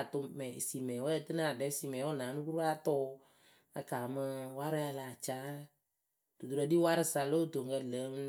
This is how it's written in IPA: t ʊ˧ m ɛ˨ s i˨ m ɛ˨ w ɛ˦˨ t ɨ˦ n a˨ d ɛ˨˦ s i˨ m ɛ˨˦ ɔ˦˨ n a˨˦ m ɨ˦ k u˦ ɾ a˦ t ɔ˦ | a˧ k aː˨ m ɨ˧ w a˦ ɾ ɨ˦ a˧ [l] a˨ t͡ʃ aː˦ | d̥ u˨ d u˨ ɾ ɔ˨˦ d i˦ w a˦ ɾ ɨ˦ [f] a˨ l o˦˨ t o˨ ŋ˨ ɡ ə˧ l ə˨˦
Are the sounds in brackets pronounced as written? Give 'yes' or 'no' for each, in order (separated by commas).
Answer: yes, no